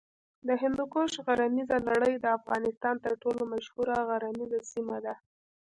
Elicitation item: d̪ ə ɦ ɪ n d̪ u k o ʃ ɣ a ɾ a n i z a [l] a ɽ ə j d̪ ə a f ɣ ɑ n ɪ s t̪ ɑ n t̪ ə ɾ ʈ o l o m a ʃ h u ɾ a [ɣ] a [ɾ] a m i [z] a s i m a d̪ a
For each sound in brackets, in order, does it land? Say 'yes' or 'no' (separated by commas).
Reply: yes, yes, yes, yes